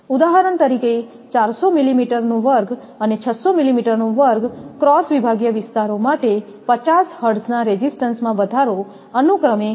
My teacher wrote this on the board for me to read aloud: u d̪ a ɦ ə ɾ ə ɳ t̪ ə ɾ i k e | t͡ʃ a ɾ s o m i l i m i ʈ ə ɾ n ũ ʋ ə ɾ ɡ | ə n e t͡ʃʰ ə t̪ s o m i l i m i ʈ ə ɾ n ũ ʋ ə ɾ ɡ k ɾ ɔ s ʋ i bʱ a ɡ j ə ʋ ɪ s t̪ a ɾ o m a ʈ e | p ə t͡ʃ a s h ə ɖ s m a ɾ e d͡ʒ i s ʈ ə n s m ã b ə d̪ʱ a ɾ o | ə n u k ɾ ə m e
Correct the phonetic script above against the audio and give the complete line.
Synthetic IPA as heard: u d̪ a ɦ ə ɾ ə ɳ t̪ ə ɾ i k e | t͡ʃ a ɾ s o m i l i m i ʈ ə ɾ n ũ ʋ ə ɾ ɡ | ə n e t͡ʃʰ ə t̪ s o m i l i m i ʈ ə ɾ n ũ ʋ ə ɾ ɡ k ɾ ɔ s ʋ i bʱ a ɡ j ə ʋ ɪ s t̪ a ɾ o m a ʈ e | p ə t͡ʃ a s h ə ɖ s n a ɾ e d͡ʒ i s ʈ ə n s m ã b ə d̪ʱ a ɾ o | ə n u k ɾ ə m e